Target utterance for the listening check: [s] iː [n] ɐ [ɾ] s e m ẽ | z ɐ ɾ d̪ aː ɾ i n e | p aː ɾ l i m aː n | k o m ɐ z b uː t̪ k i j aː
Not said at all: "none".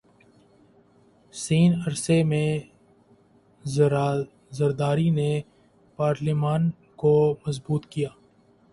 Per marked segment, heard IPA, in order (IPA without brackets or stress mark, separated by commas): s, n, ɾ